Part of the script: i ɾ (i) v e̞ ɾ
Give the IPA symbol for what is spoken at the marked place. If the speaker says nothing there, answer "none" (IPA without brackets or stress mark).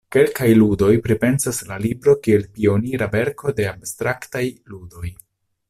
a